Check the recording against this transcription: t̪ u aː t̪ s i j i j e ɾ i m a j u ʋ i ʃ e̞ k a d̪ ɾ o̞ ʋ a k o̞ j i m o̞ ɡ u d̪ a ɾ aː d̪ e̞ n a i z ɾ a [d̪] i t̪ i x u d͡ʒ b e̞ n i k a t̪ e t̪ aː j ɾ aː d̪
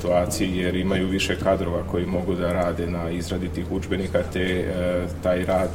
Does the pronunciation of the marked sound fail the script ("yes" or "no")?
no